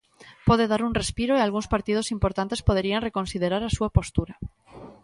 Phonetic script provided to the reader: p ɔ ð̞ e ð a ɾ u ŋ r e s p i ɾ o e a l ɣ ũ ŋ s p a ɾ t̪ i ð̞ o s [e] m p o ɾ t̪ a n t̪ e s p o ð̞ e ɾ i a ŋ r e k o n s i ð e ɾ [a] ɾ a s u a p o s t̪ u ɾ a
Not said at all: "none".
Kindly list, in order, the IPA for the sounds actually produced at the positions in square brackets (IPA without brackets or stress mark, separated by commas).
i, a